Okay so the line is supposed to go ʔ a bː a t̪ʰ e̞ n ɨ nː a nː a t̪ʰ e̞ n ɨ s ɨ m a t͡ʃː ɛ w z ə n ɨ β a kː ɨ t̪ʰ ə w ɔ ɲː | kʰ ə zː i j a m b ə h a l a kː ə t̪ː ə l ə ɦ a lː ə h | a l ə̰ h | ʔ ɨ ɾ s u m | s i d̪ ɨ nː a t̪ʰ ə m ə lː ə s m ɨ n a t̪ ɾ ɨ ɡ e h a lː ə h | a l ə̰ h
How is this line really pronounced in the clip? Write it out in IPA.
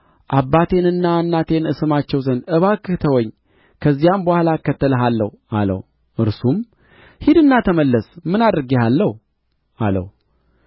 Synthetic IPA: ʔ a bː a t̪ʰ e̞ n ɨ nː a nː a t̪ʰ e̞ n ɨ s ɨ m a t͡ʃː ɛ w z ə n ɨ β a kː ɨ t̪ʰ ə w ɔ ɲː | kʰ ə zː i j a m b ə h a l a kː ə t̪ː ə l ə ɦ a lː ə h | a l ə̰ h | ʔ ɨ ɾ s u m | h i d̪ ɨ nː a t̪ʰ ə m ə lː ə s m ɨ n a d̪ ɾ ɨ ɡ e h a lː ə h | a l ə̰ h